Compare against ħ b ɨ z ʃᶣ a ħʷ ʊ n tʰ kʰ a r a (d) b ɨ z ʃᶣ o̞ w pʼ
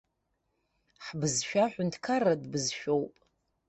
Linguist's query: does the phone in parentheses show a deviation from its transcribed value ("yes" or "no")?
no